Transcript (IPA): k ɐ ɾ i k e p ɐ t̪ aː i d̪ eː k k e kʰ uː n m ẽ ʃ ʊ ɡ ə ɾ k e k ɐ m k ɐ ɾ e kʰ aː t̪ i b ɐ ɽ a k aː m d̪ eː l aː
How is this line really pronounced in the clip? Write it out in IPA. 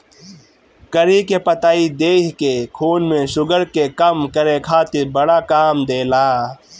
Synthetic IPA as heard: k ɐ ɾ i k e p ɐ t̪ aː i d̪ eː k k e kʰ uː n m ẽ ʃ ʊ ɡ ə ɾ k e k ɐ m k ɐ ɾ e kʰ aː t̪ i b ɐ ɽ a k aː m d̪ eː l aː